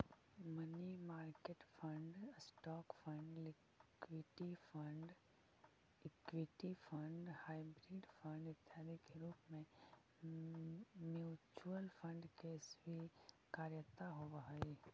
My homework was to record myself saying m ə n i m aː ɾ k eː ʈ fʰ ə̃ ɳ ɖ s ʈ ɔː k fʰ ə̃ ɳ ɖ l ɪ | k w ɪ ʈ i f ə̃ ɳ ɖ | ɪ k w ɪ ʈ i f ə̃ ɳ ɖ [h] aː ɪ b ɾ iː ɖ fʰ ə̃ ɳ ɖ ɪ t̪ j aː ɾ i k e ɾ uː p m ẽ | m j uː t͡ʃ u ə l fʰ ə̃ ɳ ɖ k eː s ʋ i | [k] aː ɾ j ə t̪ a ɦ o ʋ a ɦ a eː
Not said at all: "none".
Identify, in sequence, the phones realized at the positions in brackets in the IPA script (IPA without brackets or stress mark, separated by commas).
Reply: h, k